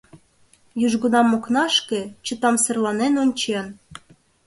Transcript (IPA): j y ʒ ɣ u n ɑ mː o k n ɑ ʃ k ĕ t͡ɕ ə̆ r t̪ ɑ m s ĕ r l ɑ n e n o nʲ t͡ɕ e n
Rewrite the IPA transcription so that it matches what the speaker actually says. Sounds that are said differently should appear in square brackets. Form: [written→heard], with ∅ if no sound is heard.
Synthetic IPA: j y ʒ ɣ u n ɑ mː o k n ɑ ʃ k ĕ t͡ɕ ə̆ [r→∅] t̪ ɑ m s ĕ r l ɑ n e n o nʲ t͡ɕ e n